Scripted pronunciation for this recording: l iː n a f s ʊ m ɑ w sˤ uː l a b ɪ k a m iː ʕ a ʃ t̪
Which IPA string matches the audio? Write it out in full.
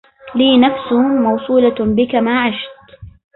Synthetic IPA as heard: l iː n a f s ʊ m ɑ w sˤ uː l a b ɪ k a m aː ʕ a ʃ t̪